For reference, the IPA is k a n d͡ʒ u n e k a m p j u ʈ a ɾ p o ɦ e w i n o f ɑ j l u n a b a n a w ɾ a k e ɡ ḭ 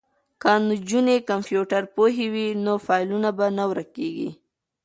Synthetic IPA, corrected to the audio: k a n d͡ʒ u n e k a m p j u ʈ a ɾ p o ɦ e w i n o f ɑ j l u n a b a n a w ɾ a k e ɡ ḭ